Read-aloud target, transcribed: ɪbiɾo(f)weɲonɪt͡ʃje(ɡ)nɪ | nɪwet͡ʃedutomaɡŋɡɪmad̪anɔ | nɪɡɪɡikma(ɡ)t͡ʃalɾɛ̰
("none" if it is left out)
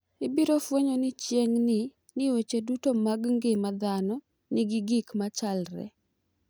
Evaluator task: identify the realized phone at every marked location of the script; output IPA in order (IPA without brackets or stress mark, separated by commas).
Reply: f, ŋ, none